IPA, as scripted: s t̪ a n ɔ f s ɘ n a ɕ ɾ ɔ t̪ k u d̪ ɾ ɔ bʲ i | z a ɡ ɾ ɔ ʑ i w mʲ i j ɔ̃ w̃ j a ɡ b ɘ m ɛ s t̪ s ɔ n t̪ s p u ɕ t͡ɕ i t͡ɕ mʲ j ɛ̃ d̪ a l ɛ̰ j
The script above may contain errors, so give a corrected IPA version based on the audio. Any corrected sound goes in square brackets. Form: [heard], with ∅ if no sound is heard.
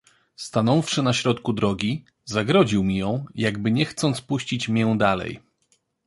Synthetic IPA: s t̪ a n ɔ f [ʂ] ɘ n a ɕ ɾ ɔ t̪ k u d̪ ɾ ɔ [ɡʲ] i | z a ɡ ɾ ɔ ʑ i w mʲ i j ɔ̃ w̃ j a ɡ b ɘ [ɲ] ɛ [x] t̪ s ɔ n t̪ s p u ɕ t͡ɕ i t͡ɕ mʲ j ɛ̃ d̪ a l ɛ̰ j